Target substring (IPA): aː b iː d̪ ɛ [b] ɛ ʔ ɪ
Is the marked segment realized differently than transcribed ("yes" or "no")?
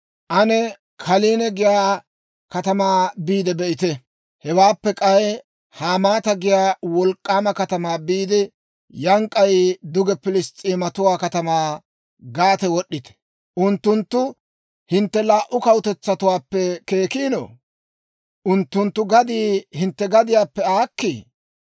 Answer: no